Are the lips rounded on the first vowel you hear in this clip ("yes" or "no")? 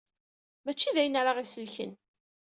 no